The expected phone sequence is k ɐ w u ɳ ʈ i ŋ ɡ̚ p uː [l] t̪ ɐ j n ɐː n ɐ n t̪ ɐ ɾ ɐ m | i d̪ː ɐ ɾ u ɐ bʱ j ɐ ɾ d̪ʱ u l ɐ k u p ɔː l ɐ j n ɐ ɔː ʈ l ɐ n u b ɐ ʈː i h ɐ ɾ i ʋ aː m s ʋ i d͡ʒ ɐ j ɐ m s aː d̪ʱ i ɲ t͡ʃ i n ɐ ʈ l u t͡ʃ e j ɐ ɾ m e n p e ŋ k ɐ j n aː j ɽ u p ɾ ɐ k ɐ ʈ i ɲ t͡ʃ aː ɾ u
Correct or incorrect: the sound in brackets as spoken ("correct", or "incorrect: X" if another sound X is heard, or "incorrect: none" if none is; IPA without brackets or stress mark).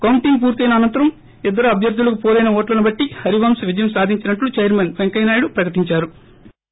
incorrect: ɾ